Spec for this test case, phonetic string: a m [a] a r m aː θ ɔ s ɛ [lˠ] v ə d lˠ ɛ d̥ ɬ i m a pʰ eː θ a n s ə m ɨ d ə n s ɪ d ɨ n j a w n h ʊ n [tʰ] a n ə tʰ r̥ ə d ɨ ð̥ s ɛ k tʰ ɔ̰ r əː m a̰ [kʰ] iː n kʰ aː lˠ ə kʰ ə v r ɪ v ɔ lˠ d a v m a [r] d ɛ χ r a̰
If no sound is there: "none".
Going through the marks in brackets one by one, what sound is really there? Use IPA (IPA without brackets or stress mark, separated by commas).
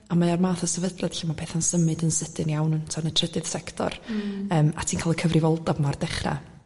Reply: a, none, tʰ, tʰ, r